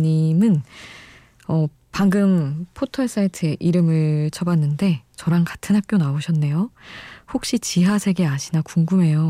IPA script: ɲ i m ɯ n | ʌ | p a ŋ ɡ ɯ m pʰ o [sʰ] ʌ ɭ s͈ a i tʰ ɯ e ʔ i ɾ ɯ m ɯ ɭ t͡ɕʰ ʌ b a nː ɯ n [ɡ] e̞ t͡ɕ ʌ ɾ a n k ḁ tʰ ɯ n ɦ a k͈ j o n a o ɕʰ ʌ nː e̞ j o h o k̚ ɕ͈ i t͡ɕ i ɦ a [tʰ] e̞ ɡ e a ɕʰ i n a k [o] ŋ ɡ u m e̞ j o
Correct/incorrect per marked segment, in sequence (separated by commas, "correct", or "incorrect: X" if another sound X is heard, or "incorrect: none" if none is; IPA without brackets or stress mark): incorrect: tʰ, incorrect: d, incorrect: sʰ, incorrect: u